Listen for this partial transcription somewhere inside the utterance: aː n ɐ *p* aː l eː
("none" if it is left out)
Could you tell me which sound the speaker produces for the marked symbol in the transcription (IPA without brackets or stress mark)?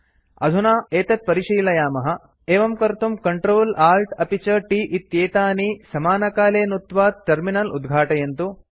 k